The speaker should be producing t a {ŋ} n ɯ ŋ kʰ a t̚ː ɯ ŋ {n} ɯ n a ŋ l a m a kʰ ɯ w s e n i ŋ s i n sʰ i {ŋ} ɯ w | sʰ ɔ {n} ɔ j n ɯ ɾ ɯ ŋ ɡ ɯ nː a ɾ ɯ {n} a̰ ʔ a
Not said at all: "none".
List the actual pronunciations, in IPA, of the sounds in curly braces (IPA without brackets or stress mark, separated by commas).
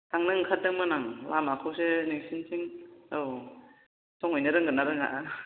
ŋ, m, ŋ, ŋ, ŋ